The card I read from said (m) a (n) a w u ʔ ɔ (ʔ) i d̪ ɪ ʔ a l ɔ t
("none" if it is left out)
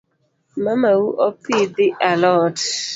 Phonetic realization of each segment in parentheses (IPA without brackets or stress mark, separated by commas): m, m, p